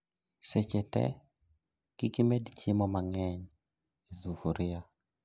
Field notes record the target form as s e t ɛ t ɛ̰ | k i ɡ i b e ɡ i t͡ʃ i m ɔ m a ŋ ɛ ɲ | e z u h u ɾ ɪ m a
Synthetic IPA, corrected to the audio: s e t͡ʃ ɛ t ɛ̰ | k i k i m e d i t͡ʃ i m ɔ m a ŋ ɛ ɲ | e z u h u ɾ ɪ a